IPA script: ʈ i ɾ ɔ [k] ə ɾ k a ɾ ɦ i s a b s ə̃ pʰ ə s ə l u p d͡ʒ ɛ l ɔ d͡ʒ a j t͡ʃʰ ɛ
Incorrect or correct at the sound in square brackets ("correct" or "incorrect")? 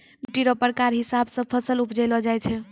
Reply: incorrect